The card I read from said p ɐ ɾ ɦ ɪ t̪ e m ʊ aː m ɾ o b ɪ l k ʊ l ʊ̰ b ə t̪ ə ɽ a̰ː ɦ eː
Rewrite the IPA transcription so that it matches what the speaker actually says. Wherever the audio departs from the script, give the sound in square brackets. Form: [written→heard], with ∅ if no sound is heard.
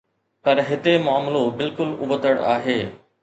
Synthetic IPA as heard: p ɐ ɾ ɦ ɪ t̪ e m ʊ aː m [ɾ→l] o b ɪ l k ʊ l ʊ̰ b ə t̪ ə ɽ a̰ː ɦ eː

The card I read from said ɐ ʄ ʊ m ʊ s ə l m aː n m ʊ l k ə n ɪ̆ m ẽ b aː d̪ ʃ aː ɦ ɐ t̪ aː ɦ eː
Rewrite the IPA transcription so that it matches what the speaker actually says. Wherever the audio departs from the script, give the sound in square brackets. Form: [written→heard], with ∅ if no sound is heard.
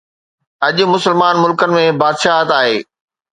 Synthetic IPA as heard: ɐ ʄ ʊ m ʊ s ə l m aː n m ʊ l k ə n ɪ̆ m ẽ b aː d̪ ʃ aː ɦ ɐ t̪ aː ɦ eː

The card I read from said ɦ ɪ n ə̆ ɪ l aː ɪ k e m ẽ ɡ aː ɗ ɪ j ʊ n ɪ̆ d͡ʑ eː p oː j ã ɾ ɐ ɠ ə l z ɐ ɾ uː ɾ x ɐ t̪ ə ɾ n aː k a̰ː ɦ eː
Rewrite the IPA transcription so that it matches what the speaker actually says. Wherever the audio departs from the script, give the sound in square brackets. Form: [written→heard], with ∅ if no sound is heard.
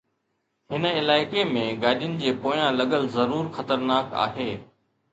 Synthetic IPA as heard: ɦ ɪ n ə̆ ɪ l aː ɪ k e m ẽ ɡ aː ɗ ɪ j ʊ n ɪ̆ d͡ʑ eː p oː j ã [ɾ→l] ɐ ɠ ə l z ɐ ɾ uː ɾ x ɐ t̪ ə ɾ n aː k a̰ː ɦ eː

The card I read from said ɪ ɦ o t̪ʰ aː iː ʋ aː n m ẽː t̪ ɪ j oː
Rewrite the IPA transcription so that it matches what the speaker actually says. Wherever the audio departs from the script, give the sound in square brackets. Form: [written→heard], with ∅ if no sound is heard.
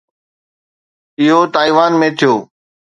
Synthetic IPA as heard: ɪ ɦ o [t̪ʰ→t̪] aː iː ʋ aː n m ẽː [t̪→t̪ʰ] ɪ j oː

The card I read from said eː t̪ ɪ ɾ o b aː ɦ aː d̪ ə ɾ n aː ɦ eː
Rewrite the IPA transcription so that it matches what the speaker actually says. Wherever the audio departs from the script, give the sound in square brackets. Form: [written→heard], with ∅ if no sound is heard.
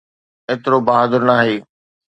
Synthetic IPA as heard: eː t̪ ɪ ɾ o b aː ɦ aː d̪ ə ɾ n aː ɦ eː

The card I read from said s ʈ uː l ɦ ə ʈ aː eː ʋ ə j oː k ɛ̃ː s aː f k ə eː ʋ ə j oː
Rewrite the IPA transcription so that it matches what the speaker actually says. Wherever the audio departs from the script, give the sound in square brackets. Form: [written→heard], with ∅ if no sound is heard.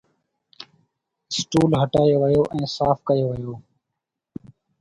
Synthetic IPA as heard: s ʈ uː l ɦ ə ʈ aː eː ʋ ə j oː [k→ʔ] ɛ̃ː s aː f k ə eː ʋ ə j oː

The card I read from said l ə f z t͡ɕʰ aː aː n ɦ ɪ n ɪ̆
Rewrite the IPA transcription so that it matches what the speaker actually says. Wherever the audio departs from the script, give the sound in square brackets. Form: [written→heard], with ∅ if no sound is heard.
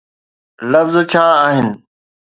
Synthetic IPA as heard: l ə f z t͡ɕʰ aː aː [n→∅] ɦ ɪ n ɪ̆

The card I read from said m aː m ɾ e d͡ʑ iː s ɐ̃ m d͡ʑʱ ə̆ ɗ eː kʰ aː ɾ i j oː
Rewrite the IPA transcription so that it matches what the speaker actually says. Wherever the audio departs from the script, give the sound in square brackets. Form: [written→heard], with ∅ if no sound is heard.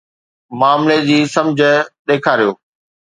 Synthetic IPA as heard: m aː m [ɾ→l] e d͡ʑ iː s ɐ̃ m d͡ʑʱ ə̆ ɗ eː kʰ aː ɾ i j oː

